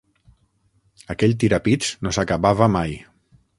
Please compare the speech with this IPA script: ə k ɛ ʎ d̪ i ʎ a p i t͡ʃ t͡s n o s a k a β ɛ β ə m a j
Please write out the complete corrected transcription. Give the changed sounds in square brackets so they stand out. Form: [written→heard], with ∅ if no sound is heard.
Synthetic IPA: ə k ɛ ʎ [d̪→t̪] i [ʎ→ɾ] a p i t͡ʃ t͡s n o s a k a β [ɛ→a] β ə m a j